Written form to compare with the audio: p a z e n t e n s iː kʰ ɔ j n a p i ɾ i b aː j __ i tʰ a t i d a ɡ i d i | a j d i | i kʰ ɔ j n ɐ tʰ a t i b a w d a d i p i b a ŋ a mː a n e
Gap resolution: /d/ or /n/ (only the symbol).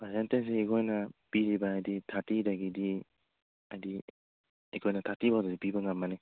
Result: d